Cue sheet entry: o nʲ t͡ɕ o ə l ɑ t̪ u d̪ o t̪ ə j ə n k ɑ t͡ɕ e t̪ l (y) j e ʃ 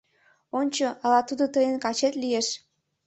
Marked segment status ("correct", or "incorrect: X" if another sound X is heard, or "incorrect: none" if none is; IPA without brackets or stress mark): incorrect: i